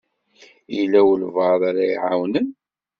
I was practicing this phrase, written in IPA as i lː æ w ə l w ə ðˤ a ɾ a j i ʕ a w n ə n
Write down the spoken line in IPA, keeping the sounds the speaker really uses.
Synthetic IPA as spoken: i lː æ w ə l v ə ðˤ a ɾ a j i ʕ a w n ə n